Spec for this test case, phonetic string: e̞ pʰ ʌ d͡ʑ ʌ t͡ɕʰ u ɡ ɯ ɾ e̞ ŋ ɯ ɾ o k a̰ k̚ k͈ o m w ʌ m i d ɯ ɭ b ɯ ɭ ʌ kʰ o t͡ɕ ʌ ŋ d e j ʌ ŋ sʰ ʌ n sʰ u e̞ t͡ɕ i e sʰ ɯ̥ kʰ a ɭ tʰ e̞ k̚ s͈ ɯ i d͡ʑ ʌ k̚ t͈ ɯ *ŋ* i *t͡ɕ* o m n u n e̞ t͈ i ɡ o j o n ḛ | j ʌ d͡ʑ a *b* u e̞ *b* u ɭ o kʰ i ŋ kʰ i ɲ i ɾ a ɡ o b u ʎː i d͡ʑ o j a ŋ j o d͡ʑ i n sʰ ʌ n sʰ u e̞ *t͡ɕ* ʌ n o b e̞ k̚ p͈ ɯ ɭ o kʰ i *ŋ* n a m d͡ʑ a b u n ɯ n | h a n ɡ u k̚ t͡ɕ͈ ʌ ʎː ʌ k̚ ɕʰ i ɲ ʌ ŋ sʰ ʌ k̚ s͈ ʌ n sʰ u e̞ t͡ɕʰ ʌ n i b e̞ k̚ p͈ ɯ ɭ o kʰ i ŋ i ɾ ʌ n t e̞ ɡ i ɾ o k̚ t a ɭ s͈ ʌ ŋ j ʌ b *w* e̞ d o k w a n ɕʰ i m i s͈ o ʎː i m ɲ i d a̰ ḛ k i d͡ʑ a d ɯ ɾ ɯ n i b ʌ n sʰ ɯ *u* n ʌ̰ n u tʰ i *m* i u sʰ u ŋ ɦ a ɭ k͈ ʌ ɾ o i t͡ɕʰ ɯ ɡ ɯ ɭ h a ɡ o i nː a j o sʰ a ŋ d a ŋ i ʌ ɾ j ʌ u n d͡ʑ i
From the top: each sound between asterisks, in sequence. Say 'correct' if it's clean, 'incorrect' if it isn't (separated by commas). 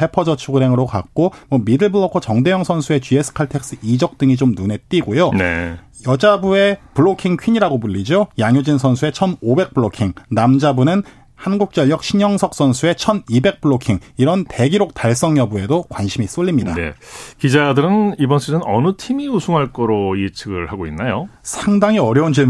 correct, correct, correct, incorrect, incorrect, correct, incorrect, incorrect, correct